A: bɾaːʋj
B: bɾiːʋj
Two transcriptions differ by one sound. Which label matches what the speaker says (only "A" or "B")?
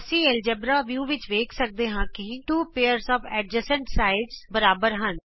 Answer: A